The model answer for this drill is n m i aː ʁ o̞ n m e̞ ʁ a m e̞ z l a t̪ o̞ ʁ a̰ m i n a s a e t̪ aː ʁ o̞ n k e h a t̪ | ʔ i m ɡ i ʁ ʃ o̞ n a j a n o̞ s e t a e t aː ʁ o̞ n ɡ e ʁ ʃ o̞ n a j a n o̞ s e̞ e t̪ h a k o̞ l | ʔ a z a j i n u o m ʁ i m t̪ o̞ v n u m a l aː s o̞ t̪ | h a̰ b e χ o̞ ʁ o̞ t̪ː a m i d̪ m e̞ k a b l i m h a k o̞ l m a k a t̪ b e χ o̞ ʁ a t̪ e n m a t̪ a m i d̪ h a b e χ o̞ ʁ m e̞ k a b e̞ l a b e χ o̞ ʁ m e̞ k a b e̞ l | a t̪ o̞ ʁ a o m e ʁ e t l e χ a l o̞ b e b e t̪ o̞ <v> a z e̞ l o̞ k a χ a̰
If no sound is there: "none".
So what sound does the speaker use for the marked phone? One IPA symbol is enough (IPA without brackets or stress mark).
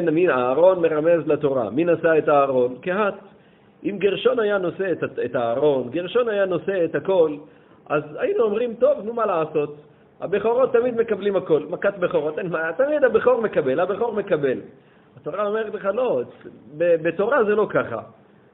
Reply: ʁ